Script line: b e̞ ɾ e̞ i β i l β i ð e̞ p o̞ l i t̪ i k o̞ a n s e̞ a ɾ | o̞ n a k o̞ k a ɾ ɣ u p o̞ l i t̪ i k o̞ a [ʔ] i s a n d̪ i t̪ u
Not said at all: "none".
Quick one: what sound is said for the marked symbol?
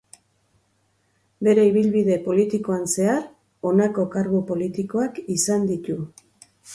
k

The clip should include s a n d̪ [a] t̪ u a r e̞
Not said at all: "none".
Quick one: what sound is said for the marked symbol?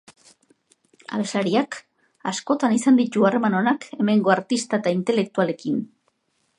i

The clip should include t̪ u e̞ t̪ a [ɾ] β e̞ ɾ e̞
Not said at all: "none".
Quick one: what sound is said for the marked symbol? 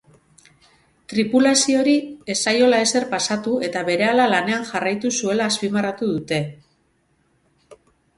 none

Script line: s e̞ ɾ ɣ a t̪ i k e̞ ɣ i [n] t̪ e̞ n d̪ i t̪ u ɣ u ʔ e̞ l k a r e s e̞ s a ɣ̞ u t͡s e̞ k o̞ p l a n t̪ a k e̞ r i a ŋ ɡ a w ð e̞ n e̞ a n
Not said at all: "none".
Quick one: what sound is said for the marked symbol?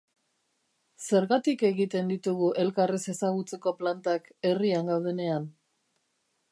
none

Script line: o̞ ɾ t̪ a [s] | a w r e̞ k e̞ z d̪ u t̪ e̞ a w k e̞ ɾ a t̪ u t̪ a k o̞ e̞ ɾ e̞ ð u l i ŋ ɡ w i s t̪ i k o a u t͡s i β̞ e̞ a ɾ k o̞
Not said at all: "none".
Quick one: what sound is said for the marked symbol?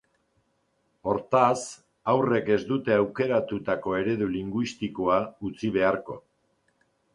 s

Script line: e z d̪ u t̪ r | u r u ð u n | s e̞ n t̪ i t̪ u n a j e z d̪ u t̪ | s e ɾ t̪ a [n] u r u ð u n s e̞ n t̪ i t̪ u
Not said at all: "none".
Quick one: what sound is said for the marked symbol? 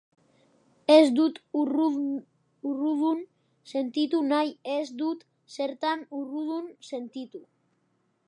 n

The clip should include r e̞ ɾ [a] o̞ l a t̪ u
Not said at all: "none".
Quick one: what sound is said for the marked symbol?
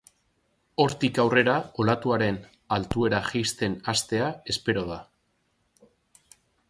a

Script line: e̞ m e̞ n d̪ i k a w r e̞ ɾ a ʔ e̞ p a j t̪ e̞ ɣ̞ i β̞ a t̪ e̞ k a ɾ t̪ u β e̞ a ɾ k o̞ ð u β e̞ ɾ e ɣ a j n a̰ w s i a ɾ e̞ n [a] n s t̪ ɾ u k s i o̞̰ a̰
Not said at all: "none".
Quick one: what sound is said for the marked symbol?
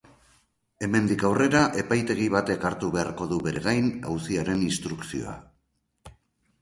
i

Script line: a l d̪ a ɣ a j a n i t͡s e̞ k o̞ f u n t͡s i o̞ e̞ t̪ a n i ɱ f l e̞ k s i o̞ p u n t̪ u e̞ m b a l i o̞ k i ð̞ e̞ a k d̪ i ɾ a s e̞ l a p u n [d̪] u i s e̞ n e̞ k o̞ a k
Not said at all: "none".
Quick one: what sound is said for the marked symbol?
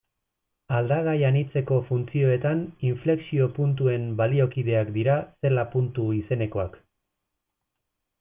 t̪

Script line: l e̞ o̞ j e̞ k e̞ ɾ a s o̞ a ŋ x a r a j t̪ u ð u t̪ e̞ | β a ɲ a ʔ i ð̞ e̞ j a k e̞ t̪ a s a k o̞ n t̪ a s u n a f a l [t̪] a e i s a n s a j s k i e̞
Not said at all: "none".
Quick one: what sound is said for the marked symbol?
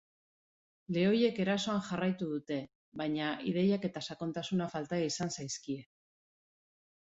t̪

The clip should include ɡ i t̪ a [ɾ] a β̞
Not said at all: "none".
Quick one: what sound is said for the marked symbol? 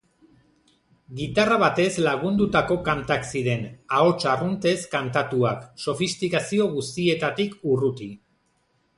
r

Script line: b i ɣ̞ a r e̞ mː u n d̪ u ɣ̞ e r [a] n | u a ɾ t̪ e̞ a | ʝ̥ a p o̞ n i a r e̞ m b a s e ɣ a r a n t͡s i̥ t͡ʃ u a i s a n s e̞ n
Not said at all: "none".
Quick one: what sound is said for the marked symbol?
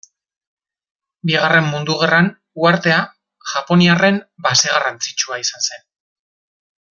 a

